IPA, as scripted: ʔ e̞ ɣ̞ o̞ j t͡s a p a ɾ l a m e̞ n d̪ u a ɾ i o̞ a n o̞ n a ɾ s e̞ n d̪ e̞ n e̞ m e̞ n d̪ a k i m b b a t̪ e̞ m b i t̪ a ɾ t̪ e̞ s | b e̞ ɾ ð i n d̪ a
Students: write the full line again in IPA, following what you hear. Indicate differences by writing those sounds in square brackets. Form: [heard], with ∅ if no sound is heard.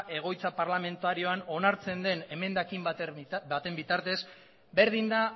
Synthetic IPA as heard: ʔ e̞ ɣ̞ o̞ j t͡s a p a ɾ l a m e̞ n [t̪] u a ɾ i o̞ a n o̞ n a ɾ [t͡s] e̞ n d̪ e̞ n e̞ m e̞ n d̪ a k i m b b a t̪ e̞ m b i t̪ a ɾ t̪ e̞ s | b e̞ ɾ ð i n d̪ a